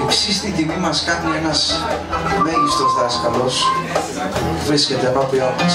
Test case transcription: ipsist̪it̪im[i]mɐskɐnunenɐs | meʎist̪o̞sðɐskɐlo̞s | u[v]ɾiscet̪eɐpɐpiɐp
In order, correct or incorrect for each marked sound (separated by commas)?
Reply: correct, correct